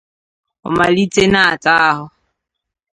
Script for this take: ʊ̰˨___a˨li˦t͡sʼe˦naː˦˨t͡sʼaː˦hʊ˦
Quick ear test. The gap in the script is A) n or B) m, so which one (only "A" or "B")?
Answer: B